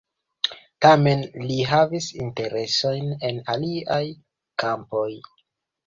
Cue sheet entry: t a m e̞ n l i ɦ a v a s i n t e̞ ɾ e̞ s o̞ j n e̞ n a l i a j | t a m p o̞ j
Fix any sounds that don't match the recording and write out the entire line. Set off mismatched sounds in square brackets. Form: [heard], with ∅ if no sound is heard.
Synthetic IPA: t a m e̞ n l i ɦ a v [i] s i n t e̞ ɾ e̞ s o̞ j n e̞ n a l i a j | [k] a m p o̞ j